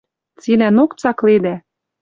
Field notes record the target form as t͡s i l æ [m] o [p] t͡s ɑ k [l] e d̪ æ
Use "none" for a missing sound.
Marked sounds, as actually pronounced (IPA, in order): n, k, l

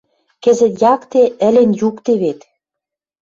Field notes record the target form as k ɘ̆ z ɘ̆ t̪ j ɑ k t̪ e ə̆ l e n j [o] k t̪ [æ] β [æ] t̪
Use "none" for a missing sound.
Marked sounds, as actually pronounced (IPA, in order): u, e, e

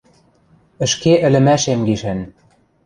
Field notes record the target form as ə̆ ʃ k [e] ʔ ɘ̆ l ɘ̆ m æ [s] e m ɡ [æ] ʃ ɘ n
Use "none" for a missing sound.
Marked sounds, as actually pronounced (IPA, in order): e, ʃ, i

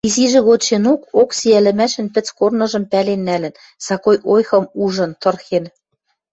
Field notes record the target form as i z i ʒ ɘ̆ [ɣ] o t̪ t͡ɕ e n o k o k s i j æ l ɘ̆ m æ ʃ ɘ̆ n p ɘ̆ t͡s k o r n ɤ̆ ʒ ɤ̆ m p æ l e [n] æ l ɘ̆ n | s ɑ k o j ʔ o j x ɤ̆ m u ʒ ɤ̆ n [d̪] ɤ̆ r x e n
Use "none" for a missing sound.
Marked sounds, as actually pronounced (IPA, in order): ɣ, nː, t̪

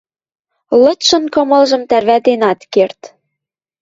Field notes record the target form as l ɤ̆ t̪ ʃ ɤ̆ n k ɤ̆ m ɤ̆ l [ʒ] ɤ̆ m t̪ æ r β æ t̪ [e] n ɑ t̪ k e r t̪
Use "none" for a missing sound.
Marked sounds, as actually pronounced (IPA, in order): ʒ, e

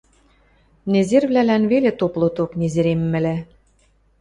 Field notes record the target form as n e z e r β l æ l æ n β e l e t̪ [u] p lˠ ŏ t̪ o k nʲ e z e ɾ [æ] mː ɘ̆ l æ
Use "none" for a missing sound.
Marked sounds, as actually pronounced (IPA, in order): o, e

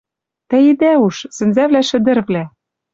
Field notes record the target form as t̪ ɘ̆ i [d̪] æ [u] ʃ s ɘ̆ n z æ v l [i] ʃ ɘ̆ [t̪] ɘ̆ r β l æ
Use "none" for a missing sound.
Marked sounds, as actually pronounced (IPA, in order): d̪, u, æ, d̪

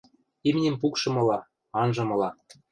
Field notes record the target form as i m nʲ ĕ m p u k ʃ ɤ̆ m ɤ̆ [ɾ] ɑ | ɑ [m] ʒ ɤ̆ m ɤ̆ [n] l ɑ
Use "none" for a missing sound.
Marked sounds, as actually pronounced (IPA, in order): l, n, none

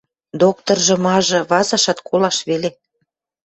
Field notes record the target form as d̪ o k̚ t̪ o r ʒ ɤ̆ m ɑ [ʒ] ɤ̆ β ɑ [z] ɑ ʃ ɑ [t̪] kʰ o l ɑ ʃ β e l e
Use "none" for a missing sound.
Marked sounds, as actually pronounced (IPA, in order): ʒ, z, t̪

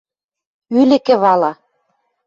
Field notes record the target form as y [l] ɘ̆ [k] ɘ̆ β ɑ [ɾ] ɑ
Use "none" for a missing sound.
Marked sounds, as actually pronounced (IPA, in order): l, k, l

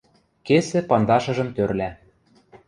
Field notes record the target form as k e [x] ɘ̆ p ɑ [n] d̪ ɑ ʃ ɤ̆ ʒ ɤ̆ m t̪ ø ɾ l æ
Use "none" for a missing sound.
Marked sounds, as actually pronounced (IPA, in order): s, n

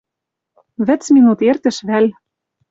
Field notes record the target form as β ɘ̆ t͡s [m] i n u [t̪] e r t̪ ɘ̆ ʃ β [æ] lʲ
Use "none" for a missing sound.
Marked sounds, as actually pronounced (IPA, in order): m, t̪, æ

